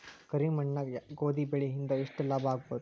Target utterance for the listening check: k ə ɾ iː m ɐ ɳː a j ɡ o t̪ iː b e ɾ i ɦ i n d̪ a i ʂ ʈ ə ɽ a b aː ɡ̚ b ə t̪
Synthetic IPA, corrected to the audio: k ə ɾ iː m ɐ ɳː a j ɡ o d̪ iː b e ɭ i ɦ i n d̪ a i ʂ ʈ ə l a b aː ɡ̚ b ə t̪